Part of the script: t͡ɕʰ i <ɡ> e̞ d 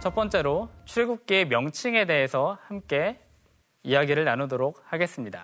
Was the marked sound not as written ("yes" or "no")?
yes